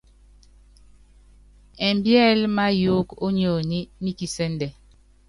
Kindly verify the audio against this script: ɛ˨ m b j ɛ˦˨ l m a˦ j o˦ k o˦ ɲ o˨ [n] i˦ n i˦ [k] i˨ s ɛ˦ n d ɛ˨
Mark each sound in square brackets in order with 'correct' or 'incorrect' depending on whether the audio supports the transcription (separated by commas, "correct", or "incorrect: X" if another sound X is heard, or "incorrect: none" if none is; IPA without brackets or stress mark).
correct, correct